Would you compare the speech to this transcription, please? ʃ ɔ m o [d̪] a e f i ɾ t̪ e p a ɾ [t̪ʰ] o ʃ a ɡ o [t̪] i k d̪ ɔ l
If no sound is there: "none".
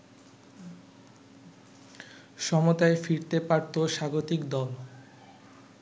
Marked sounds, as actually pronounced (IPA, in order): t̪, t̪, t̪

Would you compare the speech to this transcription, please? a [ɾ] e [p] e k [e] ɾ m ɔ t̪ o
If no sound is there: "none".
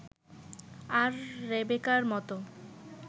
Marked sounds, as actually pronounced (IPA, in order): ɾː, b, a

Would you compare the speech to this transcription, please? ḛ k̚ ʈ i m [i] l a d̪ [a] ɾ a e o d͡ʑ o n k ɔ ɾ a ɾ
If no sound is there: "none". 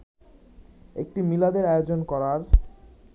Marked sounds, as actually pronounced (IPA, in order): i, e

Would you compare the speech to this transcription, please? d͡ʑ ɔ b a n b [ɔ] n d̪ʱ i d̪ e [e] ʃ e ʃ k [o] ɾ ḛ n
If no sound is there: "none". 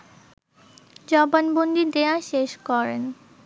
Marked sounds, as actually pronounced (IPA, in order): o, a, ɔ

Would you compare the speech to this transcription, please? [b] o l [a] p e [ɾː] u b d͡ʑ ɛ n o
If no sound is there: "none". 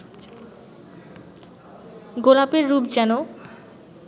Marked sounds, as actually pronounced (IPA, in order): ɡ, a, ɾː

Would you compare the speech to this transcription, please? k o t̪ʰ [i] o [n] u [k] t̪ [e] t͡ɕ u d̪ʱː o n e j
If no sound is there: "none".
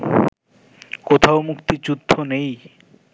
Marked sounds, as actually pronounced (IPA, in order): a, m, k, i

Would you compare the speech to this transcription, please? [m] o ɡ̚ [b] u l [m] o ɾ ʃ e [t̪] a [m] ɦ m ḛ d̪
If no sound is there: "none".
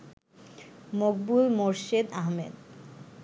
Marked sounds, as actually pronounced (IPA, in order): m, b, m, d̪, none

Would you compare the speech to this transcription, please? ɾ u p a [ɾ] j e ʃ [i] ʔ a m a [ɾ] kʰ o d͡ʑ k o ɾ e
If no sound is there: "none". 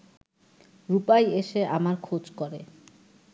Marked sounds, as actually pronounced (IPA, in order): none, e, ɾ

